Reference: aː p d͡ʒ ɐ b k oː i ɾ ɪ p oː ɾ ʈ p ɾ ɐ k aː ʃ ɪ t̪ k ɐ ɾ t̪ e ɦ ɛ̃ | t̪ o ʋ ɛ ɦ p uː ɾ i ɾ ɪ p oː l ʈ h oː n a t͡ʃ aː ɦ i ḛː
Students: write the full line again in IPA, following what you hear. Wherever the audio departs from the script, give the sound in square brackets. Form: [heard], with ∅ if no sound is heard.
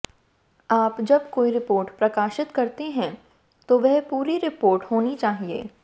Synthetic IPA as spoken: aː p d͡ʒ ɐ b k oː i ɾ ɪ p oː ɾ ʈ p ɾ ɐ k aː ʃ ɪ t̪ k ɐ ɾ t̪ e ɦ ɛ̃ | t̪ o ʋ ɛ ɦ p uː ɾ i ɾ ɪ p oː [ɾ] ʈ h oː n [i] t͡ʃ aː ɦ i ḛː